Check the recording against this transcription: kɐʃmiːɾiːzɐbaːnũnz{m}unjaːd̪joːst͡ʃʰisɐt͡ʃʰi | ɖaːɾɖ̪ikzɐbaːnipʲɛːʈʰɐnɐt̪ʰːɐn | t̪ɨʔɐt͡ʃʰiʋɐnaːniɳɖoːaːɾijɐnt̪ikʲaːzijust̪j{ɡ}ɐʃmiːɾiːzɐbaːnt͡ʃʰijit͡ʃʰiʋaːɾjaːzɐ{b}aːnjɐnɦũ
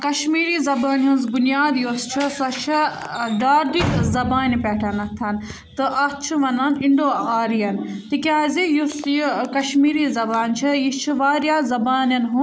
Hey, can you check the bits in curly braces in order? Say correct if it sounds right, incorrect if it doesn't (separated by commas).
incorrect, incorrect, correct